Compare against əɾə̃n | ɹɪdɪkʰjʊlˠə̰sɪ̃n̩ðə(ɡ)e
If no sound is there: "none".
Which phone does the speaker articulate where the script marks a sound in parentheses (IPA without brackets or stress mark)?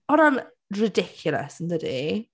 d